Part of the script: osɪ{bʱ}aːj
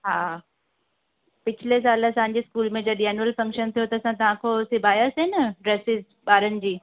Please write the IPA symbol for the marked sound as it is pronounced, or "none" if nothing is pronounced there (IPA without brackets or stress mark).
bʱ